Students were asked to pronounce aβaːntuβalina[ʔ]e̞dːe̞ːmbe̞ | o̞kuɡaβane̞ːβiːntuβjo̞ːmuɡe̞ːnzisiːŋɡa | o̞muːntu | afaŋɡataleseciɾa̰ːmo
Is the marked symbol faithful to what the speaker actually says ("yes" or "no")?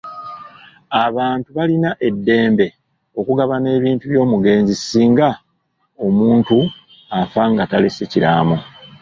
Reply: yes